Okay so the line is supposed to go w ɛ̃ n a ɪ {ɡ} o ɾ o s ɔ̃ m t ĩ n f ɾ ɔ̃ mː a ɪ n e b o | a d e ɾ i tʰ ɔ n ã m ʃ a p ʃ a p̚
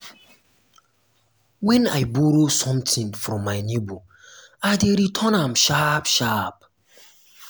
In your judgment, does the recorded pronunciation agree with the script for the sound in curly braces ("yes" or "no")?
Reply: no